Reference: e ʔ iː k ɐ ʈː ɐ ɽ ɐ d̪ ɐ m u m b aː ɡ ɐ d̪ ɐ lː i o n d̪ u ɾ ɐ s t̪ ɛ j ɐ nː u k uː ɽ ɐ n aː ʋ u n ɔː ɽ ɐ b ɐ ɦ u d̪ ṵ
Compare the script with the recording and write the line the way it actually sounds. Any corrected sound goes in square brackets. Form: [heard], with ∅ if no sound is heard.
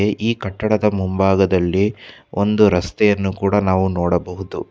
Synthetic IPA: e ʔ iː k ɐ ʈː ɐ ɽ ɐ d̪ ɐ m u m b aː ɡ ɐ d̪ ɐ lː i o n d̪ u ɾ ɐ s t̪ ɛ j ɐ nː u k uː ɽ ɐ n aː ʋ u n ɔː ɽ ɐ b ɐ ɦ u d̪ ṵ